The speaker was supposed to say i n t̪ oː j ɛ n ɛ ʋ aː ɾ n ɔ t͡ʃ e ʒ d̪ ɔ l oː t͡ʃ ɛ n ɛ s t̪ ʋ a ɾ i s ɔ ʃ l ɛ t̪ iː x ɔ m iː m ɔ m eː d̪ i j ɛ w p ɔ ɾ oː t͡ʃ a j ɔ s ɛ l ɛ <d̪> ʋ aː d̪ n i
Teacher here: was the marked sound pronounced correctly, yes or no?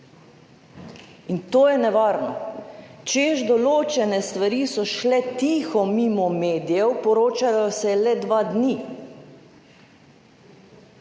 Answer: yes